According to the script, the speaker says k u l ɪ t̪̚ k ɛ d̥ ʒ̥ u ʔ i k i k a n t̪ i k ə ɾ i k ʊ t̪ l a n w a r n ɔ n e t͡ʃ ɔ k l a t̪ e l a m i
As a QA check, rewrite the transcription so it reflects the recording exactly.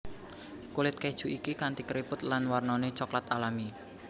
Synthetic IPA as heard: k u l ɪ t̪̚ k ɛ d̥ ʒ̥ u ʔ i k i k a n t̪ i k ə ɾ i p ʊ t̪ l a n w a r n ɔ n e t͡ʃ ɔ k l a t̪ a l a m i